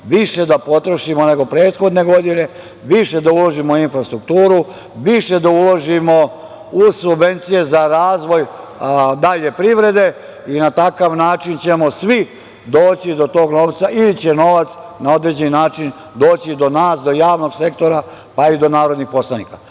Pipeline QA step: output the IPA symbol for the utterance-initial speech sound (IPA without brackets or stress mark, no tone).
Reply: ʋ